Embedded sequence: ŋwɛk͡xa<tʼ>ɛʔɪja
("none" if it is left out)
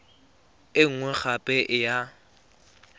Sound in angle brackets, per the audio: pʼ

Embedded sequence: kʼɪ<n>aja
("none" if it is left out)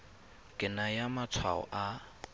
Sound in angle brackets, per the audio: n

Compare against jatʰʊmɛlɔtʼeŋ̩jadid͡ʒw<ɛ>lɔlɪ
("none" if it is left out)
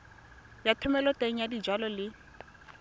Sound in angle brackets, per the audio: a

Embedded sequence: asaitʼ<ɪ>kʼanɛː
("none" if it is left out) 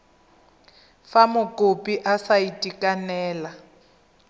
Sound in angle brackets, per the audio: i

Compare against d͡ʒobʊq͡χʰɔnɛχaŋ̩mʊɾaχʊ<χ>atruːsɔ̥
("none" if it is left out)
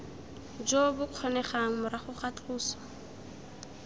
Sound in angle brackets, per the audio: χ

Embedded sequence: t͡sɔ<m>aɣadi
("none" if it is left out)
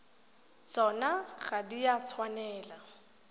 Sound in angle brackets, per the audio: n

